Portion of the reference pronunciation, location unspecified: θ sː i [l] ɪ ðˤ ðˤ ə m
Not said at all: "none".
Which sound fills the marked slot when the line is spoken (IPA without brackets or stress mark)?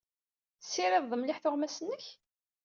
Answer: ɾ